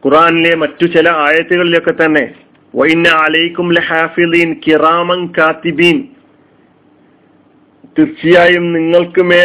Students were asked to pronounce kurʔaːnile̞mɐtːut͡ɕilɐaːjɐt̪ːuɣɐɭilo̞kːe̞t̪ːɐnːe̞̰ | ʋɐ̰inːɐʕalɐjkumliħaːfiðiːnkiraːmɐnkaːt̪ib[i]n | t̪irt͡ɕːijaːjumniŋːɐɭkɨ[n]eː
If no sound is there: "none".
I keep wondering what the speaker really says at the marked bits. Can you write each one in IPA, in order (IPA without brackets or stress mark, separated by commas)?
iː, m